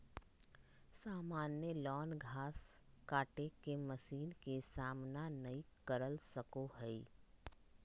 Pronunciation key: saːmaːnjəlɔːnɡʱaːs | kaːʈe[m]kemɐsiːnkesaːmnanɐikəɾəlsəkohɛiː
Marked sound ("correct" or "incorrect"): incorrect